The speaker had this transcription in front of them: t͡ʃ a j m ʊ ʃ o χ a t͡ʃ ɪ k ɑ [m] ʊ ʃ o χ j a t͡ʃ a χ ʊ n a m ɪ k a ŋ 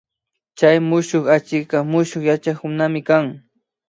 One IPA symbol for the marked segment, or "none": m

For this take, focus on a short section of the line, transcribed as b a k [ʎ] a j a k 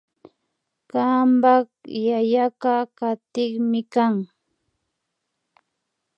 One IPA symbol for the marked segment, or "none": j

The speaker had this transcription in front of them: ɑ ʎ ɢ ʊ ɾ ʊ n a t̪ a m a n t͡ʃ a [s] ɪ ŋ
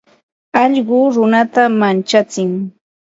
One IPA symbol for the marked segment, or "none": t͡s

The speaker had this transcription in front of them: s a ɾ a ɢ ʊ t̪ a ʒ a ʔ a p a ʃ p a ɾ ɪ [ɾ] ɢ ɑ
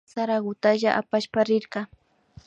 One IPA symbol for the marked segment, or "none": ɾ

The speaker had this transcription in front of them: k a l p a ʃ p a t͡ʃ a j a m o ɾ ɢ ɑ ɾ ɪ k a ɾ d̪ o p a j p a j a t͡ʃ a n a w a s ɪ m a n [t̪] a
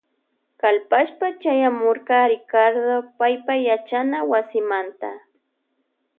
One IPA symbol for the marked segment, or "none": t̪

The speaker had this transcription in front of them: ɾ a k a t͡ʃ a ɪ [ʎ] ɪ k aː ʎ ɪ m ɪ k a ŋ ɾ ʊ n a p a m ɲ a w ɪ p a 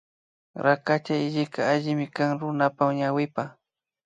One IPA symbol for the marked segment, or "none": ʎ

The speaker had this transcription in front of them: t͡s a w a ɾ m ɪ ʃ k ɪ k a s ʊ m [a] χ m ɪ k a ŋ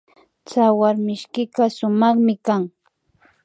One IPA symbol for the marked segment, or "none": ɑ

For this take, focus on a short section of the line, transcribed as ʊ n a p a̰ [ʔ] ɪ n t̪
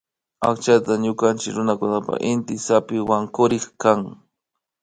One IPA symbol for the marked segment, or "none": ʔ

